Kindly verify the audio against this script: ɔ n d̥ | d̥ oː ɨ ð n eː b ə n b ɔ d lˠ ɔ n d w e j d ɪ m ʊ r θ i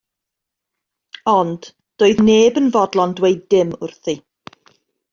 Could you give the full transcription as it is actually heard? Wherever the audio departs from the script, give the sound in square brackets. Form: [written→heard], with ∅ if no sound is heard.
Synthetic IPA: ɔ n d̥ | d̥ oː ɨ ð n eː b ə n [b→v] ɔ d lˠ ɔ n d w e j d ɪ m ʊ r θ i